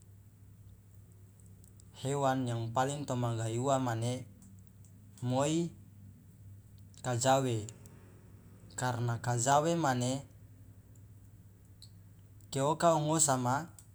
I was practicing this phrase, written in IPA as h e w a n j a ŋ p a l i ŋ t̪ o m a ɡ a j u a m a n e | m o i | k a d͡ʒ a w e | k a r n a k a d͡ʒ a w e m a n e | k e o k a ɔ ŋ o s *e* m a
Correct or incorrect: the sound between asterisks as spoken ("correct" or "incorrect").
incorrect